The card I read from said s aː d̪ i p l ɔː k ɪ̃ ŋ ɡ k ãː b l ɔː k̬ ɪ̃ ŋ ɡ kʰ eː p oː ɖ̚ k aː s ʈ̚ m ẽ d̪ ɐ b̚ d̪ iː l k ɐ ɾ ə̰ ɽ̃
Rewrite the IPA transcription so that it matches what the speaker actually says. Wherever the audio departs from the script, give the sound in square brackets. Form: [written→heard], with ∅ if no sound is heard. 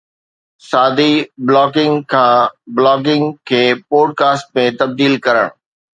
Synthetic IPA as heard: s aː d̪ i [p→b] l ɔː k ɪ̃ ŋ ɡ [k→kʰ] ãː b l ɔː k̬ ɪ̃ ŋ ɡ kʰ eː p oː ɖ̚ k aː s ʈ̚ m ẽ [d̪→t̪] ɐ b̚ d̪ iː l k ɐ ɾ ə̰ ɽ̃

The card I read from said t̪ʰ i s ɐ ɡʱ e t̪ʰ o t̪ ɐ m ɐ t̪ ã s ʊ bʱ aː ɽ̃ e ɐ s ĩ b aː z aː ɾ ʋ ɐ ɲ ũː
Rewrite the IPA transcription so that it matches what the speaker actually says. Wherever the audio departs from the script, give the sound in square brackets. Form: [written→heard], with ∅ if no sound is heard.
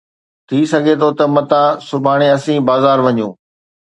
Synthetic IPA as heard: t̪ʰ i s ɐ ɡʱ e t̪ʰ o t̪ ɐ m ɐ t̪ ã s ʊ bʱ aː ɽ̃ e ɐ s ĩ b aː z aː ɾ ʋ ɐ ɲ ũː

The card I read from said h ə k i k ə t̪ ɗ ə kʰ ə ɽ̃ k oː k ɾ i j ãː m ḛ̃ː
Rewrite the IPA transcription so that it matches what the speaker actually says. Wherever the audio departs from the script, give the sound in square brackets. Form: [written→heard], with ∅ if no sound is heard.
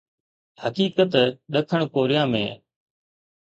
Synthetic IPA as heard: h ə k [i→iː] k ə t̪ ɗ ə kʰ ə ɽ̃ k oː [k→∅] ɾ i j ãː m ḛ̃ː

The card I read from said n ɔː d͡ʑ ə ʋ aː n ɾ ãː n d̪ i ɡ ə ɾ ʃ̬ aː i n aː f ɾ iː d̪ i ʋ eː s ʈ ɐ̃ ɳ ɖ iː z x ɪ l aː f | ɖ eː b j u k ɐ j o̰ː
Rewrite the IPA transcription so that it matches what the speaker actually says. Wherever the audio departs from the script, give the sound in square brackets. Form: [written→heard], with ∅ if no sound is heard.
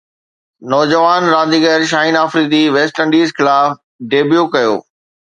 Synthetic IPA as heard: n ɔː d͡ʑ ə ʋ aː n ɾ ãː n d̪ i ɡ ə ɾ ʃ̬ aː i n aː f ɾ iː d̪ i ʋ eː s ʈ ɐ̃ ɳ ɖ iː z x ɪ l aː f | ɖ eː b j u k ɐ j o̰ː

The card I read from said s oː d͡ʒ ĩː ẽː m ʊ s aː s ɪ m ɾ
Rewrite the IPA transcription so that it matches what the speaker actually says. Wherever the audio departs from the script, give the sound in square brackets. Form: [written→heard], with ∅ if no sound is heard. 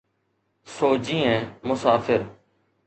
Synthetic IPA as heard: s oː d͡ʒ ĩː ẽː m ʊ s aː [s→f] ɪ [m→∅] ɾ

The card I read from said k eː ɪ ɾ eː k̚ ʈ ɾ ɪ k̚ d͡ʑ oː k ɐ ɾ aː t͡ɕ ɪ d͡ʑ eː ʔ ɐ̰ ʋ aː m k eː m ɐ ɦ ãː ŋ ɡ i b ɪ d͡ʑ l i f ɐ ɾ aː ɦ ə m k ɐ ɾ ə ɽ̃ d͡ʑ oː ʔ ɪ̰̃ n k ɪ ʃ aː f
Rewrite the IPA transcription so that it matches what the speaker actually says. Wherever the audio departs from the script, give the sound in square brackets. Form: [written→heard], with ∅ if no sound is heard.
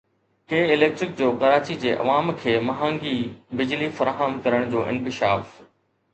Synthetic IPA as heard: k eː ɪ [ɾ→l] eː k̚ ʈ ɾ ɪ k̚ d͡ʑ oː k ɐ ɾ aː t͡ɕ [ɪ→i] d͡ʑ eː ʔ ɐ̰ ʋ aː m [k→kʰ] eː m ɐ ɦ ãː ŋ ɡ i b ɪ d͡ʑ l i f ɐ ɾ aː ɦ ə m k ɐ ɾ ə ɽ̃ d͡ʑ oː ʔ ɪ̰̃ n k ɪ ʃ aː f

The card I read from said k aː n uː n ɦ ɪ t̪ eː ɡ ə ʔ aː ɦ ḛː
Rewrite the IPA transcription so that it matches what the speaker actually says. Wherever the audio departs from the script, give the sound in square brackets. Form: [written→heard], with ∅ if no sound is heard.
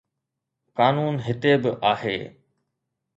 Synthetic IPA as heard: k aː n uː n ɦ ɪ t̪ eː [ɡ→b] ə ʔ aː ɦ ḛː

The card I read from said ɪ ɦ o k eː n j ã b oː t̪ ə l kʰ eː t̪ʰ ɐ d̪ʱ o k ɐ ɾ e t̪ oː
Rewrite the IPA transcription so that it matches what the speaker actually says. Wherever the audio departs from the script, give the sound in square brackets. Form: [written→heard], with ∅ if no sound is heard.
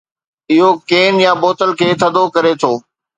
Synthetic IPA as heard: ɪ ɦ o k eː n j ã b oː t̪ ə l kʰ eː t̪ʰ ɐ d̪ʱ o k ɐ ɾ e [t̪→t̪ʰ] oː

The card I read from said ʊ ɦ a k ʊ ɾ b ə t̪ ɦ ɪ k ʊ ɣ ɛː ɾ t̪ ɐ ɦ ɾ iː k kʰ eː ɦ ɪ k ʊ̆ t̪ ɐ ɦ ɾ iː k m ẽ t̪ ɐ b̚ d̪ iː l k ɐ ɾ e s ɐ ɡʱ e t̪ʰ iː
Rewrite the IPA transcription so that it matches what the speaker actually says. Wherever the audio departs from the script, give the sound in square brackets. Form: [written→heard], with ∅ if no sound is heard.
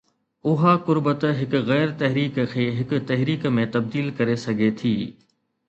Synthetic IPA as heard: ʊ ɦ a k ʊ ɾ b ə t̪ ɦ ɪ k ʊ ɣ ɛː ɾ t̪ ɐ ɦ ɾ iː k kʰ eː ɦ ɪ k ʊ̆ t̪ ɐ ɦ ɾ iː k m ẽ t̪ ɐ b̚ d̪ iː l k ɐ ɾ e s ɐ ɡʱ e t̪ʰ iː

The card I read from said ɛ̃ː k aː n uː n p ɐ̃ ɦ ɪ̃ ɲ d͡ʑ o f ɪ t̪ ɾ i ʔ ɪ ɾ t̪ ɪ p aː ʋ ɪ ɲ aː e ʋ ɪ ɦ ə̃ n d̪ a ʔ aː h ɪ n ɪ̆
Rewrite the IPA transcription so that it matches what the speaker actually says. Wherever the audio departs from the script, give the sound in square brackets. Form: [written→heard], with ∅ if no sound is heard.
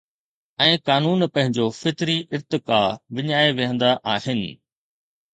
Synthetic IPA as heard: ɛ̃ː k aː n uː n p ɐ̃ ɦ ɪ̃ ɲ d͡ʑ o f ɪ t̪ ɾ i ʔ ɪ ɾ t̪ ɪ [p→k] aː ʋ ɪ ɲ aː e ʋ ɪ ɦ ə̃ n d̪ a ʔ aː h ɪ n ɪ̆

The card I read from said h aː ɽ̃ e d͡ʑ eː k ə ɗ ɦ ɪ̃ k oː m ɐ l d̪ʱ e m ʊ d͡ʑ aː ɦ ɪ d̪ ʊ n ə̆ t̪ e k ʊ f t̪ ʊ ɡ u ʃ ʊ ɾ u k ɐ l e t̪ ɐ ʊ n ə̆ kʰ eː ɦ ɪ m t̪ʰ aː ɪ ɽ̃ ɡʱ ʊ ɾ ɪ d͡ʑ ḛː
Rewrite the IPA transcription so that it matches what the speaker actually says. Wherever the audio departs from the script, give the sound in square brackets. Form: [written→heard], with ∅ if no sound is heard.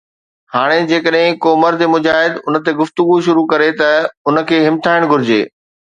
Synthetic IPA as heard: h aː ɽ̃ e d͡ʑ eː k ə ɗ ɦ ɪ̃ k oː m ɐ [l→ɾ] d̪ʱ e m ʊ d͡ʑ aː ɦ ɪ d̪ ʊ n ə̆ t̪ e [k→ɡ] ʊ f t̪ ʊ ɡ u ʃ ʊ ɾ u k ɐ [l→ɾ] e t̪ ɐ ʊ n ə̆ kʰ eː ɦ ɪ m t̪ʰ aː ɪ ɽ̃ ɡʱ ʊ ɾ ɪ d͡ʑ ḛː

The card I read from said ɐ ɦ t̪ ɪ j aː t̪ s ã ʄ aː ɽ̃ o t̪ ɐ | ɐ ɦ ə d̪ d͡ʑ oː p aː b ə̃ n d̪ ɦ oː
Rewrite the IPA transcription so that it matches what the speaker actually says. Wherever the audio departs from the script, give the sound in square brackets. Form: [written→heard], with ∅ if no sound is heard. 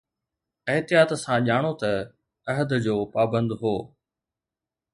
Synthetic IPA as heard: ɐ ɦ t̪ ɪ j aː t̪ s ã ʄ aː ɽ̃ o t̪ ɐ | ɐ ɦ ə d̪ d͡ʑ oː p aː b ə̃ n d̪ ɦ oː

